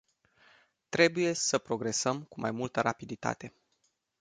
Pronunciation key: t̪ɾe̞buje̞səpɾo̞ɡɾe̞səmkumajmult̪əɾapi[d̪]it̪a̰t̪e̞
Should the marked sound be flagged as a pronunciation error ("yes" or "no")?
no